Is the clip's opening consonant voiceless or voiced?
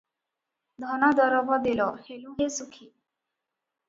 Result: voiced